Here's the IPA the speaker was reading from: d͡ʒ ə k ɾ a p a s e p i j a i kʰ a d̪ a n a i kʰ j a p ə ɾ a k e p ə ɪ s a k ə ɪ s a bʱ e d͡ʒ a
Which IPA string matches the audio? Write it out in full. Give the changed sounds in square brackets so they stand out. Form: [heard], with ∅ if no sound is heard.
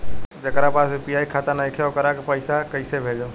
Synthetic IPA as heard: d͡ʒ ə k ɾ a p a s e p i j a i kʰ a [t̪] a n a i kʰ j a [k] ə ɾ a k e p ə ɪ s a k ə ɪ s [e] bʱ e d͡ʒ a